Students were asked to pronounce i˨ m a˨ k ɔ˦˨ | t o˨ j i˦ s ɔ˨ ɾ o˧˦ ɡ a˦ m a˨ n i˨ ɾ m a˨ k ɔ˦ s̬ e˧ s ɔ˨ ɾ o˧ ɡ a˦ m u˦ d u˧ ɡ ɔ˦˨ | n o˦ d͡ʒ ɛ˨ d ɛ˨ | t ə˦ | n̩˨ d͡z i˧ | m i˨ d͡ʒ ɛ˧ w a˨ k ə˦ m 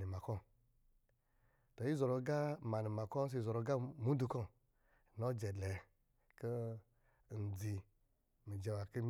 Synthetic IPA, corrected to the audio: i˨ m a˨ k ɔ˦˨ | t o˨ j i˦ z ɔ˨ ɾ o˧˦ ɡ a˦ m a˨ n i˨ m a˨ k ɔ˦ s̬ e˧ z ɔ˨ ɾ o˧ ɡ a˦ m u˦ d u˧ k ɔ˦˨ | n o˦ d͡ʒ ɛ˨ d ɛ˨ | k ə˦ | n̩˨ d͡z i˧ | m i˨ d͡ʒ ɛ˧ w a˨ k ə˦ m

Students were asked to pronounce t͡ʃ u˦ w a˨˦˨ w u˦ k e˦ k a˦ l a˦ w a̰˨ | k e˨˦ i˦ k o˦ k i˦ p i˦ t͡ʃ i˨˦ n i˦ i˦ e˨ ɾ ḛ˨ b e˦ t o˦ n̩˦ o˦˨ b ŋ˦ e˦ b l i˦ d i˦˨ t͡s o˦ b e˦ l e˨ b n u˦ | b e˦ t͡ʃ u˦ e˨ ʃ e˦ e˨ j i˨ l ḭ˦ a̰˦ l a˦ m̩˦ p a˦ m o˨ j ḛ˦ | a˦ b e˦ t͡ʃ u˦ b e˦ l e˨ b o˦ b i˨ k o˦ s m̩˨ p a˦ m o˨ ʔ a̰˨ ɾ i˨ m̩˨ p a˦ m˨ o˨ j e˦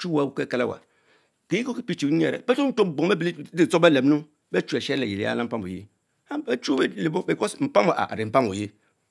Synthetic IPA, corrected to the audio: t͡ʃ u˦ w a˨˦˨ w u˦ k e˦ k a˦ l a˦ w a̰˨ | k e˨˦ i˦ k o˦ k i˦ p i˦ t͡ʃ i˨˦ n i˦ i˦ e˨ ɾ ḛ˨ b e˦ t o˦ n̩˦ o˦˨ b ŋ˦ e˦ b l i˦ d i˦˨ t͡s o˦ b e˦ l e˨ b n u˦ | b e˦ t͡ʃ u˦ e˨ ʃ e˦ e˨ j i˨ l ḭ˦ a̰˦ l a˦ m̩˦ p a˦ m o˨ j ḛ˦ | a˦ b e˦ t͡ʃ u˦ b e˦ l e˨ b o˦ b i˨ k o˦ s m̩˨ p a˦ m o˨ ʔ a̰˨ ɾ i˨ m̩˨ p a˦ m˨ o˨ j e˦

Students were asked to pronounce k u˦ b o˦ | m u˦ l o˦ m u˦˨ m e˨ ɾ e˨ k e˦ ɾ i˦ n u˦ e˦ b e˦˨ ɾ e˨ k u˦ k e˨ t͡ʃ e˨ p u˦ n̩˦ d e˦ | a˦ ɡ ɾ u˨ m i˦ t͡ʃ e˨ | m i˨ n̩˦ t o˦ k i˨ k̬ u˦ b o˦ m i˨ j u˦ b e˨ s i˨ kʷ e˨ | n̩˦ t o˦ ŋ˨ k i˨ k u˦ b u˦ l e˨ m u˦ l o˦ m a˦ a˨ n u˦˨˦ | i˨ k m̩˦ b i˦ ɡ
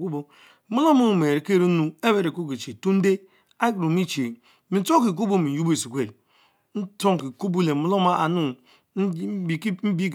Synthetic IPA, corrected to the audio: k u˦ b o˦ | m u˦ l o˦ m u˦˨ m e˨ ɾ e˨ k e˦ ɾ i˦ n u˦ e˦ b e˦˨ ɾ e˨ k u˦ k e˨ t͡ʃ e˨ t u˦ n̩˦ d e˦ | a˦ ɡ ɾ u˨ m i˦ t͡ʃ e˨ | m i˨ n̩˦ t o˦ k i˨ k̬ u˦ b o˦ m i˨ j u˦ b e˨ s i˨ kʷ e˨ | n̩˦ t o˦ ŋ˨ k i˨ k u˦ b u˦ l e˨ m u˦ l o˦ m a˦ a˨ n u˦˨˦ | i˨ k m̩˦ b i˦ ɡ

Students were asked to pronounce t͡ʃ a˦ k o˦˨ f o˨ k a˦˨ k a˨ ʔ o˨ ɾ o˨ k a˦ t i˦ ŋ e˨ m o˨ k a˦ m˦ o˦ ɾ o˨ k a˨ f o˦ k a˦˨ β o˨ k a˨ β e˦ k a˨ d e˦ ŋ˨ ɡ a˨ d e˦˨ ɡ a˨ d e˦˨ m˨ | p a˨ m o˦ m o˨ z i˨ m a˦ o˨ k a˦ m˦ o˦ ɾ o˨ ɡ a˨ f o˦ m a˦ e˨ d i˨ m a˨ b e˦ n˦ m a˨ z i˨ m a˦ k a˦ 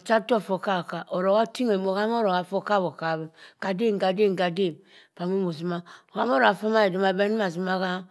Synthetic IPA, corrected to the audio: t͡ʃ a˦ t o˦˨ f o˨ k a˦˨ k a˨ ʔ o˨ ɾ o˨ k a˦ t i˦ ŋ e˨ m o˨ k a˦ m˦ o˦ ɾ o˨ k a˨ f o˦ k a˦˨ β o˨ k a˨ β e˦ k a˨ d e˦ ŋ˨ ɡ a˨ d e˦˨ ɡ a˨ d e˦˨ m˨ | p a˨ m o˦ m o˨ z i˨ m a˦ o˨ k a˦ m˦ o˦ ɾ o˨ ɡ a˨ f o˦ m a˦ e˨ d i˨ m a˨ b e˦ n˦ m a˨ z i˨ m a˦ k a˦

